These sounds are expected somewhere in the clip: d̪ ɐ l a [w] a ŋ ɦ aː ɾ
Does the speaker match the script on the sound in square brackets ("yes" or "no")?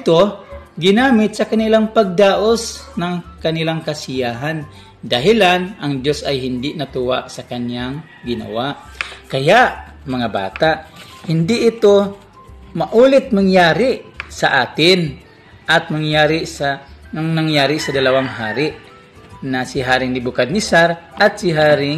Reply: yes